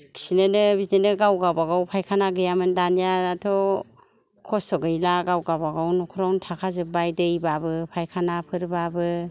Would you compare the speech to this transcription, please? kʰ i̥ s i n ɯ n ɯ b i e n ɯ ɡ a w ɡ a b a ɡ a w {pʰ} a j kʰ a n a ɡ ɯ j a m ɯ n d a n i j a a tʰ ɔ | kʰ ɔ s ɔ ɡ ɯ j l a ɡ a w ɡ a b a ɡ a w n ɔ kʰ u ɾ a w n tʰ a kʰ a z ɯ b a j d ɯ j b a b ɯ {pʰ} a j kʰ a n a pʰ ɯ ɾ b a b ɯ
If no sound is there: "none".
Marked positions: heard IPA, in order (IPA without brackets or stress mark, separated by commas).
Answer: pʰ, pʰ